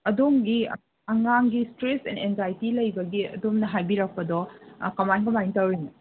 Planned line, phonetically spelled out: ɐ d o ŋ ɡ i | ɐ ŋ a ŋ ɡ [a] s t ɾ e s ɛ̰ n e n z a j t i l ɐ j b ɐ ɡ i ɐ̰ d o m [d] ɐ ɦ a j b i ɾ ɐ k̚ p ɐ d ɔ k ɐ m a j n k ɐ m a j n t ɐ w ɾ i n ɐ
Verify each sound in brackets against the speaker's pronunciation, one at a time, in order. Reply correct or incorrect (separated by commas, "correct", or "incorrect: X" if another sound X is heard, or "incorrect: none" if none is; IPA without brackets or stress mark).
incorrect: i, incorrect: n